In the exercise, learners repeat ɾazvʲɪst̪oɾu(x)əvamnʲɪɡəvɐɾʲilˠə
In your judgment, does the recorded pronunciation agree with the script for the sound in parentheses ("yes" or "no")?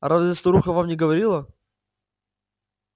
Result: yes